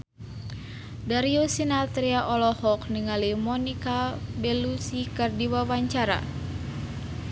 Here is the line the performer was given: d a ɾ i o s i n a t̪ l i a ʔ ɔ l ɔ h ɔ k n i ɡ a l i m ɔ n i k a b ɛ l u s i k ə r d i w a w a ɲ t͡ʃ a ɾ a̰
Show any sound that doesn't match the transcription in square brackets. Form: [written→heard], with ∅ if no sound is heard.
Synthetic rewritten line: d a ɾ i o s i n a t̪ [l→ɾ] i a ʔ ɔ l ɔ h ɔ k n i [ɡ→ŋ] a l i m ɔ n i k a b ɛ l u s i k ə r d i w a w a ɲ t͡ʃ a ɾ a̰